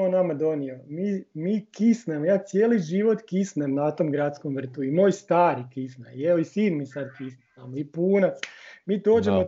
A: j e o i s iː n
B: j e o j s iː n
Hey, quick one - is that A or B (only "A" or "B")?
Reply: A